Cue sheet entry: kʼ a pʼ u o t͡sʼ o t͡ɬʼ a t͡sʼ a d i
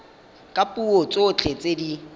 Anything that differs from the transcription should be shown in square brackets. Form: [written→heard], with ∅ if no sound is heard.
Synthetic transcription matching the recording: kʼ a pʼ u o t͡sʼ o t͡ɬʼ [a→e] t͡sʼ [a→e] d i